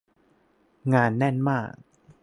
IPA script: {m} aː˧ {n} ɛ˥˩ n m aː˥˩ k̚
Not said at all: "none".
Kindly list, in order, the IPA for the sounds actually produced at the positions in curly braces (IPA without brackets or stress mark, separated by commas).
ŋ, nː